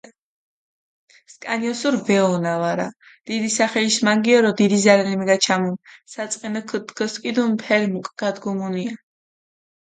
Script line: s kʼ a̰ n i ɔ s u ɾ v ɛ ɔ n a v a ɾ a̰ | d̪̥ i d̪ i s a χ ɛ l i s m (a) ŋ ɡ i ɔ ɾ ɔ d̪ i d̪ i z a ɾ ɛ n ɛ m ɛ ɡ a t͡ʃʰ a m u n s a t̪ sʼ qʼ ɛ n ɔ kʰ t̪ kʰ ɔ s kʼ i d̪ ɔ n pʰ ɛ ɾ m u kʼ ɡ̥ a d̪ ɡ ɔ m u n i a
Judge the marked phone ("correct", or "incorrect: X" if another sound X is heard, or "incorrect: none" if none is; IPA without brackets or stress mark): correct